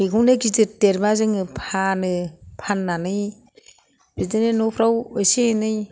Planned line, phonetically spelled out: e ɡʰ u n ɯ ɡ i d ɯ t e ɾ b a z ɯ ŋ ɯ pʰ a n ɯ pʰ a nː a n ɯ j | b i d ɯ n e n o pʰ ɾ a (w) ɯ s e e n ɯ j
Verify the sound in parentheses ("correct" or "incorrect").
correct